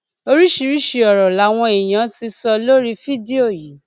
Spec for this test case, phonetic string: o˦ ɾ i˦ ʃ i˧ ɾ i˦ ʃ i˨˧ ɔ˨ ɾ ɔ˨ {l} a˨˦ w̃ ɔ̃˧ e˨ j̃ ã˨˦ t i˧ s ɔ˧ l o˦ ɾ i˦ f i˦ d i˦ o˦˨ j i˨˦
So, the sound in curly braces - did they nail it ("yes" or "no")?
yes